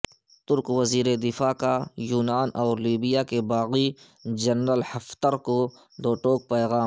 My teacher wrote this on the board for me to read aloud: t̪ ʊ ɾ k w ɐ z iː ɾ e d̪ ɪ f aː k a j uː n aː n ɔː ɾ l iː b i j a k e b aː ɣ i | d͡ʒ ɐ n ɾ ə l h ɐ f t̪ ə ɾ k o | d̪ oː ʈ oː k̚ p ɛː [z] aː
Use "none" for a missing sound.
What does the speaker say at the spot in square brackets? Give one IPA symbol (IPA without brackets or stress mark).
ɣ